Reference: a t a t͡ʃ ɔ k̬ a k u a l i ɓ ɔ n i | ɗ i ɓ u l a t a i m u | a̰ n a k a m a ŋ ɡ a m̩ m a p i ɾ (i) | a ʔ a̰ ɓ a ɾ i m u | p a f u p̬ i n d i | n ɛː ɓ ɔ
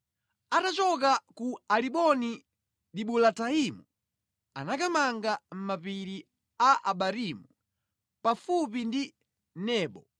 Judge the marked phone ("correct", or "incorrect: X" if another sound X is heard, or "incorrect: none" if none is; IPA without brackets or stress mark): correct